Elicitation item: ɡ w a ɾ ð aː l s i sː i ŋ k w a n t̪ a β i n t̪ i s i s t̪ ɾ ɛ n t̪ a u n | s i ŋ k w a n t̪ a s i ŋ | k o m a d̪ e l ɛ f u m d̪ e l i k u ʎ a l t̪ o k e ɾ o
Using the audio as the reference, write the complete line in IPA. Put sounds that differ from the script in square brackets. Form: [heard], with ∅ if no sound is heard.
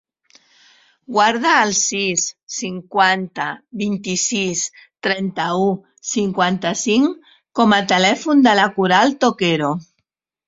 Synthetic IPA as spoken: ɡ w a ɾ ð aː l s i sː i ŋ k w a n t̪ a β i n t̪ i s i s t̪ ɾ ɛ n t̪ a u [∅] | s i ŋ k w a n t̪ a s i ŋ | k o m a [t̪] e l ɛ f u [n] d̪ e l [a] k u [ɾ] a l t̪ o k e ɾ o